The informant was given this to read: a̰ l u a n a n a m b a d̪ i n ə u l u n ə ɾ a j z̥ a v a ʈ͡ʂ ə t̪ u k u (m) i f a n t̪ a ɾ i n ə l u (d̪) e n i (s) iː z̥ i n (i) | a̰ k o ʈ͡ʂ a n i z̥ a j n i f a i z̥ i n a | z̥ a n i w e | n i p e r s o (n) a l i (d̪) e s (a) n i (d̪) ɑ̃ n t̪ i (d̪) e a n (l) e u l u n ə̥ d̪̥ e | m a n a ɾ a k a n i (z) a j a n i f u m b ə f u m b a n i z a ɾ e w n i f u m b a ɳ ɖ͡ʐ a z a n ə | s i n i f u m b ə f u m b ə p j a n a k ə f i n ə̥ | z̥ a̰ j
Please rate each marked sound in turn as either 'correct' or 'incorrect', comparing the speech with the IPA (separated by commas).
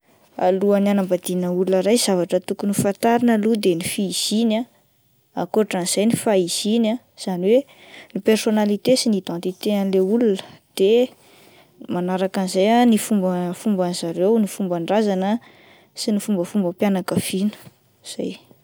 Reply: incorrect, correct, incorrect, incorrect, correct, incorrect, incorrect, correct, incorrect, correct, correct